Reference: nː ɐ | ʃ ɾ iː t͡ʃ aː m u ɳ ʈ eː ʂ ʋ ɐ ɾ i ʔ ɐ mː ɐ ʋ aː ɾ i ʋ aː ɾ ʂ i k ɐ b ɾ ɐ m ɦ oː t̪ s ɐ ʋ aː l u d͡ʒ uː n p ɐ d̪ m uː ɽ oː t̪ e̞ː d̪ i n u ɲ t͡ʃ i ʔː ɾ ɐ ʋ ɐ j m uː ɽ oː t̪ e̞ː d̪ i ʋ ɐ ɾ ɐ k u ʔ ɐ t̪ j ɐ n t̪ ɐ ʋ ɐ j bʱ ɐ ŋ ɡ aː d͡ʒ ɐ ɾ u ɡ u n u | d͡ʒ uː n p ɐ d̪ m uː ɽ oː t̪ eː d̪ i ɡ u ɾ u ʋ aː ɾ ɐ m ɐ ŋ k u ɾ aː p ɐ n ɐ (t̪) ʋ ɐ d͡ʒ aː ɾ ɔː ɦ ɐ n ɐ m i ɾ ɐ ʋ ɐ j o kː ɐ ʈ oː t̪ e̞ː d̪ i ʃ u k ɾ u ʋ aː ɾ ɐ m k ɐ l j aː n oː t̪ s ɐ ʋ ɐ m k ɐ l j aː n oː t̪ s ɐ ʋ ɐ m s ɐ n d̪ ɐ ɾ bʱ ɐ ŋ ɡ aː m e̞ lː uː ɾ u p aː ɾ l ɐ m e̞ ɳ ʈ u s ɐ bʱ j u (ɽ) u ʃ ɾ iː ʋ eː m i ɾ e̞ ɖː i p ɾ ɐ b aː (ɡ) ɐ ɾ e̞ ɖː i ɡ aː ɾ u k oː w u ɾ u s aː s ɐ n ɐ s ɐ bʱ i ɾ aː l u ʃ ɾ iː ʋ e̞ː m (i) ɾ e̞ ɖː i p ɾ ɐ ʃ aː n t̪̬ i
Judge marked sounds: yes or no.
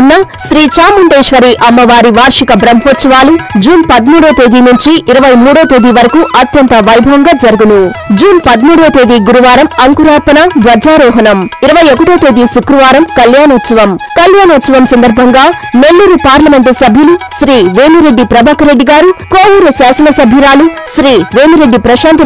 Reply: no, no, no, yes

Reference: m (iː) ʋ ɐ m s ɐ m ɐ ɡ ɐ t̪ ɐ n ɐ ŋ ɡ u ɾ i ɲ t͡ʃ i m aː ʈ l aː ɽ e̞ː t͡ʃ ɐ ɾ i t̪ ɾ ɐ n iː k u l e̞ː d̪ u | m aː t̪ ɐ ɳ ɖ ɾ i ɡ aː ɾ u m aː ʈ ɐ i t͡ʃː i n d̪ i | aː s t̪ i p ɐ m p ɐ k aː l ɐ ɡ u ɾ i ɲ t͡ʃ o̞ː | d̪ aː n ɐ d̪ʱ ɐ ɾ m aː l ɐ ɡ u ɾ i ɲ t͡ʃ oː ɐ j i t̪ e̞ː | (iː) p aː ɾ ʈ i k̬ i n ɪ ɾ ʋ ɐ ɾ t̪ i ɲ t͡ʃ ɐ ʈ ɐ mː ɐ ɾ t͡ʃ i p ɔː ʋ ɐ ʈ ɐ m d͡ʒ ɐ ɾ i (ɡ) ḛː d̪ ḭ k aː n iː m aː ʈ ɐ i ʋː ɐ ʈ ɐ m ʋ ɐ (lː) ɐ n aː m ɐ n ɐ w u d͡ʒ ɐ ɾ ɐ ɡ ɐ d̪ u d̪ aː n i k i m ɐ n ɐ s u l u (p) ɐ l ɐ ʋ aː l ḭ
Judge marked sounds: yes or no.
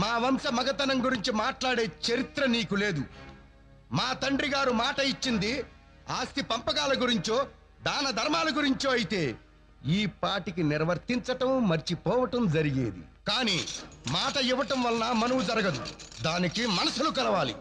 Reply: no, yes, yes, no, no

